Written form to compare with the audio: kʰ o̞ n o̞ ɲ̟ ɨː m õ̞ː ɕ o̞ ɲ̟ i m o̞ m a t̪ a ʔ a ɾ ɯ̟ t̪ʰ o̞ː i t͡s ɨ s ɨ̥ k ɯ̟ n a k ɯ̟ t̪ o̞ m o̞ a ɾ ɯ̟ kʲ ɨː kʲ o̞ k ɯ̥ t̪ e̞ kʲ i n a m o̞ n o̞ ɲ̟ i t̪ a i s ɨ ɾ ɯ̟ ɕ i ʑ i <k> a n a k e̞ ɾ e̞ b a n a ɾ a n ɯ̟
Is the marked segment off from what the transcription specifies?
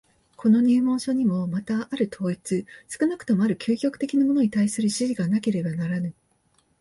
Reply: yes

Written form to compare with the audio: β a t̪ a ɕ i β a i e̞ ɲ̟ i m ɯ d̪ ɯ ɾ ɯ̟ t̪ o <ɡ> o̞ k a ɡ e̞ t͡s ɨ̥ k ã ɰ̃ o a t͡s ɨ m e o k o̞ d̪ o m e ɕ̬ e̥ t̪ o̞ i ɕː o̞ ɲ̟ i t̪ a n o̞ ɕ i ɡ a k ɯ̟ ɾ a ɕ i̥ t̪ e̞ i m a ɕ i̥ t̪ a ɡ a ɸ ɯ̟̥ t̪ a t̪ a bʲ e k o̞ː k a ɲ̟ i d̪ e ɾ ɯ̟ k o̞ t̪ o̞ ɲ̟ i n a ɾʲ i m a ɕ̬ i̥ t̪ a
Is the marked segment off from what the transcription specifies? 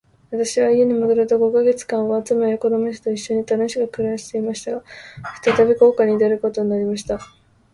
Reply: no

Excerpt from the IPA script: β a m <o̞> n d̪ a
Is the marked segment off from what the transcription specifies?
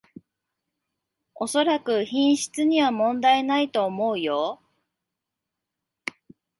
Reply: yes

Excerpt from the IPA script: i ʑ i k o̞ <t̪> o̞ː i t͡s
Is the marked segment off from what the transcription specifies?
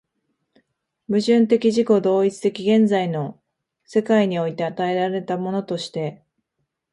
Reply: yes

